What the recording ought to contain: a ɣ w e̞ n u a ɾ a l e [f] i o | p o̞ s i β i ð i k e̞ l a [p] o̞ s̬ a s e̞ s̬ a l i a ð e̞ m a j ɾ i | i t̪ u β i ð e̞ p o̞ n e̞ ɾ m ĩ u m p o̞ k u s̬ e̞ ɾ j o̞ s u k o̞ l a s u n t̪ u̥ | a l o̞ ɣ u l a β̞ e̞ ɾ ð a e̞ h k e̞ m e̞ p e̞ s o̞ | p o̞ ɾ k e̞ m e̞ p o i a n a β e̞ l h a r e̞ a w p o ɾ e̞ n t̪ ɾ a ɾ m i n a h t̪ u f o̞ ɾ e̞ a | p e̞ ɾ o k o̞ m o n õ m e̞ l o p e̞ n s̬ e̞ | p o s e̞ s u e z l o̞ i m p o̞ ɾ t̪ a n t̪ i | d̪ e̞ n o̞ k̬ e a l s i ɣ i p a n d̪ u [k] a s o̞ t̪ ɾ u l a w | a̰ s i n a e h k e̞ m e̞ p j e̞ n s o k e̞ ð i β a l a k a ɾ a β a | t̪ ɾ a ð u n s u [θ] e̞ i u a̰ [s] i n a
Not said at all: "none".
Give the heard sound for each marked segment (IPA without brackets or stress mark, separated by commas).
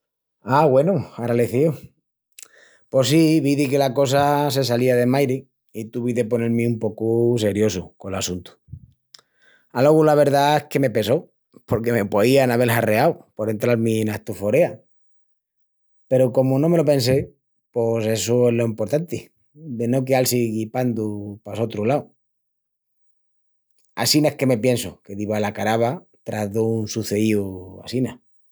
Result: θ, k, p, θ, s